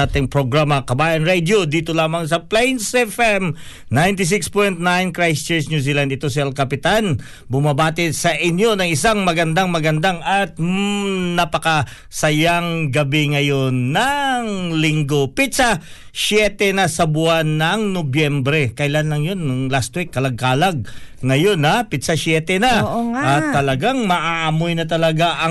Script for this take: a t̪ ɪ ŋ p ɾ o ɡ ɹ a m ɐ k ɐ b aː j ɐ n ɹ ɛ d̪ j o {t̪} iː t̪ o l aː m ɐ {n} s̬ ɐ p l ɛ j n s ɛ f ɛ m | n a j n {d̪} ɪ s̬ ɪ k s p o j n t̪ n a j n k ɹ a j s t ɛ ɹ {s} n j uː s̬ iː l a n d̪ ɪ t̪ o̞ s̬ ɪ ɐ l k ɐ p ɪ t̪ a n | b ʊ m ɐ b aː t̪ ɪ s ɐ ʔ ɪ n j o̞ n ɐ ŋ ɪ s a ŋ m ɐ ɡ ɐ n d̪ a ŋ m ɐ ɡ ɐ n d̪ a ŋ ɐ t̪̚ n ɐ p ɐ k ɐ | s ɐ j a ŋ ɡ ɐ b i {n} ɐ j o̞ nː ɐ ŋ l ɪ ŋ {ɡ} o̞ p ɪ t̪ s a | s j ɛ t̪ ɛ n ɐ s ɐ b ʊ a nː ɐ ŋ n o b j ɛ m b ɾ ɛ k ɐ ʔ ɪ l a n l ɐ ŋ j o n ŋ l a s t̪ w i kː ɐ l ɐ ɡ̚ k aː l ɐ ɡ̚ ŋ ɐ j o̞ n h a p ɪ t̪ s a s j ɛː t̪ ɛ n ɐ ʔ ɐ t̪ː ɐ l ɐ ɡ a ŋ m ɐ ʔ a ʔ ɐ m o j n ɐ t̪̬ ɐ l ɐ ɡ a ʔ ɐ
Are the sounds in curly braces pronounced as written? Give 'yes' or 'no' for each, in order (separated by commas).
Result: no, no, no, yes, no, yes